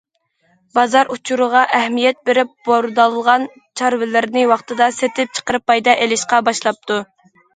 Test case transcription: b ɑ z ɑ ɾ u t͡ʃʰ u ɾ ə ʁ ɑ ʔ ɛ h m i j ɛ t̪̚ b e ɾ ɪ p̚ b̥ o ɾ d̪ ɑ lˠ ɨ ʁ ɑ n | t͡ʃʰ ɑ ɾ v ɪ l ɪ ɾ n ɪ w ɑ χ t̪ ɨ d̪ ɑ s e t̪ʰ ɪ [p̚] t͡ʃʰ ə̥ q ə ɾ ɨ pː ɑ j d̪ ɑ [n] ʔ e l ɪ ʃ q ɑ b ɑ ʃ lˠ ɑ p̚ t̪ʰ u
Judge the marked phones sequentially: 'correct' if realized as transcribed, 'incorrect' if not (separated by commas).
correct, incorrect